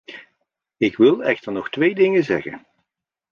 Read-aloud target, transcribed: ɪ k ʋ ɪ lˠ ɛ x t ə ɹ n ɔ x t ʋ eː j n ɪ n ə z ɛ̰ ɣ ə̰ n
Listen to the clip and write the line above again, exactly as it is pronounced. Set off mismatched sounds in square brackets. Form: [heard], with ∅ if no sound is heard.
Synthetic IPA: ɪ k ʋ ɪ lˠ ɛ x t ə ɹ n ɔ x t ʋ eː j [d] ɪ [ŋ] ə z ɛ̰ ɣ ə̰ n